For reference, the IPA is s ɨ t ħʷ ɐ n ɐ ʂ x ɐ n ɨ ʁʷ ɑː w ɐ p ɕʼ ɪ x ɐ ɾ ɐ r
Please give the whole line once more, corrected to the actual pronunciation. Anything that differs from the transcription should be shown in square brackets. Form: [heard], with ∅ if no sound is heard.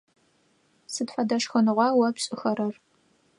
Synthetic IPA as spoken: s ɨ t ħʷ ɐ [d] ɐ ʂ x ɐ n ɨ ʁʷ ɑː w ɐ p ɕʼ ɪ x ɐ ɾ ɐ r